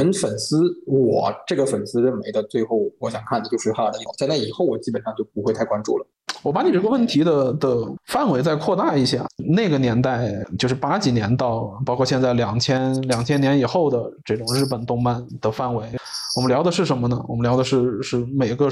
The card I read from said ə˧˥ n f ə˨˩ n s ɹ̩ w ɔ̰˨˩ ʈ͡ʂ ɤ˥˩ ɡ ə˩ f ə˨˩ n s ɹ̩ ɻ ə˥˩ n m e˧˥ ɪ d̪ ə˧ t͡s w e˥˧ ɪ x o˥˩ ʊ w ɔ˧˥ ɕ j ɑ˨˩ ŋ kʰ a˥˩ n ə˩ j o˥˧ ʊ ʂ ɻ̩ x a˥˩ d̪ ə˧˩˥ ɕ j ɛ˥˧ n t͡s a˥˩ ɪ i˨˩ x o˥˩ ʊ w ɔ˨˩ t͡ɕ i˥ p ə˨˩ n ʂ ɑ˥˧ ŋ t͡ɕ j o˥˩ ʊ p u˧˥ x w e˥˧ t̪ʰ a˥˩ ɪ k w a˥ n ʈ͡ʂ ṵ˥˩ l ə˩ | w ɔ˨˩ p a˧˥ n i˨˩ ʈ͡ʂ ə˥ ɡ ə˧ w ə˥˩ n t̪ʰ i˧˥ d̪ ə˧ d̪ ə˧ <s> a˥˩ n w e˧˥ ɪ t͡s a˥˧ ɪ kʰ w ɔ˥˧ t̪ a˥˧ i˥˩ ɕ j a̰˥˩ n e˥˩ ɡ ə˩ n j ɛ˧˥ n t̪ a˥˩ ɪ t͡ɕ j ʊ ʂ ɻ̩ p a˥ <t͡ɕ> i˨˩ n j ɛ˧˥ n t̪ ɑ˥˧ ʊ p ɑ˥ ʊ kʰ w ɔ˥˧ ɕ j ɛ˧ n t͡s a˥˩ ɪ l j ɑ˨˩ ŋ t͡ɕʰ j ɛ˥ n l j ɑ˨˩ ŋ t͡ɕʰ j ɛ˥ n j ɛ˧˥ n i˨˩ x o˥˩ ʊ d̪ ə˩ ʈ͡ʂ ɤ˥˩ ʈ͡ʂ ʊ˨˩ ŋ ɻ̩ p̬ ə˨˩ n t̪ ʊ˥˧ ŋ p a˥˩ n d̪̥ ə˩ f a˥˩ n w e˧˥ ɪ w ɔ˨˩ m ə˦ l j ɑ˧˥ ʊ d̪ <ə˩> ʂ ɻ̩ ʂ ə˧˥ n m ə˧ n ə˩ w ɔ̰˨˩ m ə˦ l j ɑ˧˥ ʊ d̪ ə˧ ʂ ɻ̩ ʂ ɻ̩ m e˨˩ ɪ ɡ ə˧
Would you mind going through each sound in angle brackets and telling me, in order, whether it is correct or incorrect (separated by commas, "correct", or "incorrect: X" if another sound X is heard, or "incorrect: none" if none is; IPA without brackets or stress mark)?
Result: incorrect: f, correct, incorrect: ə˧